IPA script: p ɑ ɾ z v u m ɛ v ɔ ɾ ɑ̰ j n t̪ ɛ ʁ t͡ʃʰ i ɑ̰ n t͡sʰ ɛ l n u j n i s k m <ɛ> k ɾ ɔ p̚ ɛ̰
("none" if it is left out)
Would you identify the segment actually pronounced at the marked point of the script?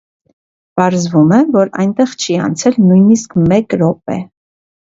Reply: ɛ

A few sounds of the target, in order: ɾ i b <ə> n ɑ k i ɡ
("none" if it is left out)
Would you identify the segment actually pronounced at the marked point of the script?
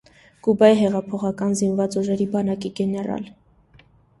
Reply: ɑ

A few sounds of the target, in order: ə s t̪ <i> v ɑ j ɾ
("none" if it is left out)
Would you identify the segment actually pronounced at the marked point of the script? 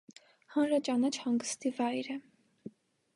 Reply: i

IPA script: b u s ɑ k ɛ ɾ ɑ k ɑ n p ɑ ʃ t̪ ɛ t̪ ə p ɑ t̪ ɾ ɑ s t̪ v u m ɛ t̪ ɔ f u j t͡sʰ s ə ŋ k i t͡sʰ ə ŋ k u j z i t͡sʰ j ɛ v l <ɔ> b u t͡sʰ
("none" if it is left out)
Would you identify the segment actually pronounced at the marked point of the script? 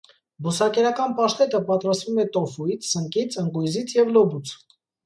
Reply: ɔ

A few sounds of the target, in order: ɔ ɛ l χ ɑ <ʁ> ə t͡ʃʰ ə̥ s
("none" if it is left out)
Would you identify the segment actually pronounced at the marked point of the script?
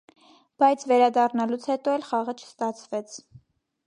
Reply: ʁ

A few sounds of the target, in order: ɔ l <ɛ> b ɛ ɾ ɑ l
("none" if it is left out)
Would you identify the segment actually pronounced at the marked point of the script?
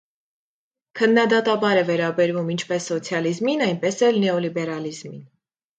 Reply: i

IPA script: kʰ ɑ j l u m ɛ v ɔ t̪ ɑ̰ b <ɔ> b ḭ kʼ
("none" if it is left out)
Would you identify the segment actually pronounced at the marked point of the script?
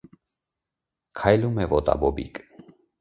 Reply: ɔ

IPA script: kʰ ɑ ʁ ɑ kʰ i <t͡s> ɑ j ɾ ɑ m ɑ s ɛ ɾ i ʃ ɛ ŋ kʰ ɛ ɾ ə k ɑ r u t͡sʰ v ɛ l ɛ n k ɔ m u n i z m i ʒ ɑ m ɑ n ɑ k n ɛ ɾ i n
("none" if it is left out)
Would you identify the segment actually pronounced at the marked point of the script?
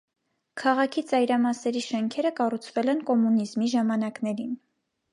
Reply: t͡s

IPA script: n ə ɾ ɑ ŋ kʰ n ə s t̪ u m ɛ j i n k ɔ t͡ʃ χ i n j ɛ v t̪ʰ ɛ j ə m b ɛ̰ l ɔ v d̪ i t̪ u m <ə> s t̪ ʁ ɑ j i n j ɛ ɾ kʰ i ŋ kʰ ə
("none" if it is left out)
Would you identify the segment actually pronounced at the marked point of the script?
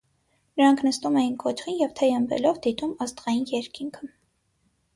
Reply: ɑ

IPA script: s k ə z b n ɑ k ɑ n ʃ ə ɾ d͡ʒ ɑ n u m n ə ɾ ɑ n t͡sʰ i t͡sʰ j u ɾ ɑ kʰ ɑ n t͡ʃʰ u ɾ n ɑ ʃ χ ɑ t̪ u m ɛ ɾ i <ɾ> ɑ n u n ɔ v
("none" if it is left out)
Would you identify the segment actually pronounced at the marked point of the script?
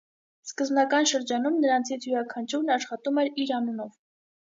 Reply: ɾ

